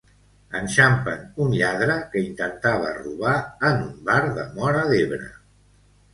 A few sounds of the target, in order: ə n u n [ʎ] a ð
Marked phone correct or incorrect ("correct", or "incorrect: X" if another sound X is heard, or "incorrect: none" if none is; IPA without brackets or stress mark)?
correct